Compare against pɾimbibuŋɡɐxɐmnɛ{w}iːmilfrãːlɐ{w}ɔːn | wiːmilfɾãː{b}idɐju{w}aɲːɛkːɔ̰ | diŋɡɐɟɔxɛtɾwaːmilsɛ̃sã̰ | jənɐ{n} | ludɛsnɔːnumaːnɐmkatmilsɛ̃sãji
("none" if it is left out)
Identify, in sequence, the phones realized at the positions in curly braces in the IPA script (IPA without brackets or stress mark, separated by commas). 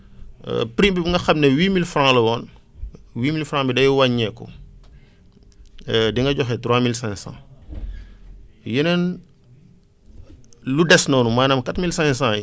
w, w, b, w, n